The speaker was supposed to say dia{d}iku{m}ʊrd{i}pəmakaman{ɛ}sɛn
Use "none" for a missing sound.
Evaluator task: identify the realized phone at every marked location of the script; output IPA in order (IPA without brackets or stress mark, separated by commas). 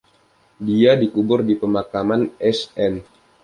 d, b, i, ɛ